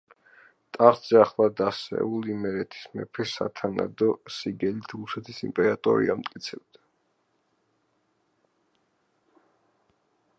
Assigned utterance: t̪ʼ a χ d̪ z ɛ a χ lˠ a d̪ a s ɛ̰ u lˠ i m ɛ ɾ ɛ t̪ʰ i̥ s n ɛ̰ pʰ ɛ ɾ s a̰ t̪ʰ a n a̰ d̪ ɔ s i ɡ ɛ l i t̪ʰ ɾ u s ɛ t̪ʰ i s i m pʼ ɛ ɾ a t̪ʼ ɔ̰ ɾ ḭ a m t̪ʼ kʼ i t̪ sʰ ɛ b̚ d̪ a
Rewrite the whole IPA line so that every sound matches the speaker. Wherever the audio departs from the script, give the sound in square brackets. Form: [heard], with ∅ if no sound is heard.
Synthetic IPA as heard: t̪ʼ a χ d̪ z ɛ a χ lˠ a d̪ a s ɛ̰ u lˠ i m ɛ ɾ ɛ t̪ʰ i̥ s [m] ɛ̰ pʰ ɛ [∅] s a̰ t̪ʰ a n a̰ d̪ ɔ s i ɡ ɛ l i t̪ʰ ɾ u s ɛ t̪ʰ i s i m pʼ ɛ ɾ a t̪ʼ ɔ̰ ɾ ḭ a m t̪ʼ kʼ i t̪ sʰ ɛ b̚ d̪ a

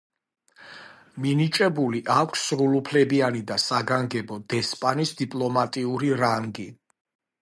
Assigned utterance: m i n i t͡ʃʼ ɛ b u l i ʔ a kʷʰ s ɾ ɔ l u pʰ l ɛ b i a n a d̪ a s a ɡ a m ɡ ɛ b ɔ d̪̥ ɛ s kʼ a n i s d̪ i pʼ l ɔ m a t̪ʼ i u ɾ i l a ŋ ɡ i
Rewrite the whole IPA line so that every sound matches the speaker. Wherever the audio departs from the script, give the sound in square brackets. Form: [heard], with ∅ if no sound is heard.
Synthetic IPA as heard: m i n i t͡ʃʼ ɛ b u l i ʔ a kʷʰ s ɾ [u] l u pʰ l ɛ b i a n [i] d̪ a s a ɡ a [ŋ] ɡ ɛ b ɔ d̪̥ ɛ s [pʼ] a n i s d̪ i pʼ l ɔ m a t̪ʼ i u ɾ i [ɾ] a ŋ ɡ i

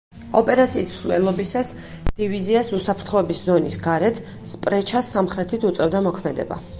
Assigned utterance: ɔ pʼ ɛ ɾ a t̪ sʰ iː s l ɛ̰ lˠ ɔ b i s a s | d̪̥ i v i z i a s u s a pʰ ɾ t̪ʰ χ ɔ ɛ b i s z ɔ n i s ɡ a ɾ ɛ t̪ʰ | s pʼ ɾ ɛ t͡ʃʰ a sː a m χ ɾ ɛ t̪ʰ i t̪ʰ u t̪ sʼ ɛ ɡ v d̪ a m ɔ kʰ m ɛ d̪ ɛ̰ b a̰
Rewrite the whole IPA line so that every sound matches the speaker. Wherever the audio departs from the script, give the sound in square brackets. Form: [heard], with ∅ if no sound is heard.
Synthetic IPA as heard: ɔ pʼ ɛ ɾ a t̪ sʰ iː s l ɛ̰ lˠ ɔ b i s a s | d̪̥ i v i z i a s u s a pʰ ɾ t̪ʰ χ ɔ ɛ b i s z ɔ n i s ɡ a ɾ ɛ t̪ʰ | s pʼ ɾ ɛ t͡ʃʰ a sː a m χ ɾ ɛ t̪ʰ i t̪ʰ u t̪ sʼ ɛ [∅] v d̪ a m ɔ kʰ m ɛ d̪ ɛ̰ b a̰

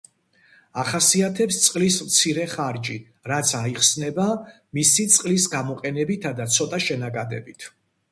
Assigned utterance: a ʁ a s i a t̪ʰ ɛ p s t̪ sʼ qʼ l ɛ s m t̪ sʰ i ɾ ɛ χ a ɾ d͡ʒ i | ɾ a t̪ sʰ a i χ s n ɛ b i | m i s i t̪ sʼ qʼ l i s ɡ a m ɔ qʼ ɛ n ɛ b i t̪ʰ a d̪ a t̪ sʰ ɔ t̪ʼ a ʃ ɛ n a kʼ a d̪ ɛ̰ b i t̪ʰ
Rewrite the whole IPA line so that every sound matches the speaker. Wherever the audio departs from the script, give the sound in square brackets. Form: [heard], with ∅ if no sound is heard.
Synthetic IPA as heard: a [χ] a s i a t̪ʰ ɛ p s t̪ sʼ qʼ l [i] s m t̪ sʰ i ɾ ɛ χ a ɾ d͡ʒ i | ɾ a t̪ sʰ a i χ s n ɛ b [a] | m i s i t̪ sʼ qʼ l i s ɡ a m ɔ qʼ ɛ n ɛ b i t̪ʰ a d̪ a t̪ sʰ ɔ t̪ʼ a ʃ ɛ n a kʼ a d̪ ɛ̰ b i t̪ʰ

